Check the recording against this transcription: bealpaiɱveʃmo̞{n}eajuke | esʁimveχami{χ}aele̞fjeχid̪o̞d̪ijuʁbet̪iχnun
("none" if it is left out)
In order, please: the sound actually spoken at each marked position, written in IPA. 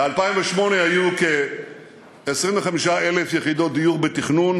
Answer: n, ʃ

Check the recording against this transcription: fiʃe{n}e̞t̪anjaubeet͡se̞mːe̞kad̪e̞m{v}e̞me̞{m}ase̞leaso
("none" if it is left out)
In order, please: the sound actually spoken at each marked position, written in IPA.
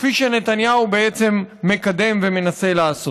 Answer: n, v, n

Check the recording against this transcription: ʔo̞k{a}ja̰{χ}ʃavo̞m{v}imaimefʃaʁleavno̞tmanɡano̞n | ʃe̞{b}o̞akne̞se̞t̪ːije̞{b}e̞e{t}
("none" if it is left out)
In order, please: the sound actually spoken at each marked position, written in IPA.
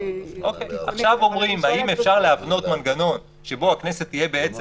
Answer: e, χ, ʁ, b, b, t͡s

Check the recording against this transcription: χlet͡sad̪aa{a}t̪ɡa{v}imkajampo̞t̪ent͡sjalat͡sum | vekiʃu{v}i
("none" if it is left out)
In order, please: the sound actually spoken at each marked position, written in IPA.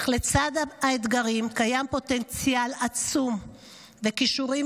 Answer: e, ʁ, ʁ

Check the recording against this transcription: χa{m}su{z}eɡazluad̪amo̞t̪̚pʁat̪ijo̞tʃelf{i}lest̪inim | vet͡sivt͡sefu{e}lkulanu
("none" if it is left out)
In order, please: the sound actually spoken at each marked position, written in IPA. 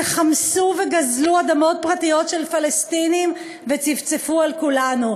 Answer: m, v, a, a

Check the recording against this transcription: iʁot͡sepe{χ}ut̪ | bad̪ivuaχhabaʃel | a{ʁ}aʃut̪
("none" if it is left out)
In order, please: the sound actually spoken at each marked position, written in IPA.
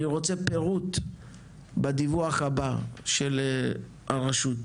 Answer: ʁ, ʁ

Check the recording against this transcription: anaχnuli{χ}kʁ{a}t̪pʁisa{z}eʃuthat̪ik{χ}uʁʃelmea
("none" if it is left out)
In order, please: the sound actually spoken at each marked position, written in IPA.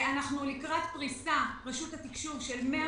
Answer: none, a, ʁ, ʃ

